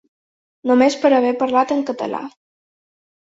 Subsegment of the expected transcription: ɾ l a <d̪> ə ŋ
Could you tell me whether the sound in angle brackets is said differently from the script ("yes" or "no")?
yes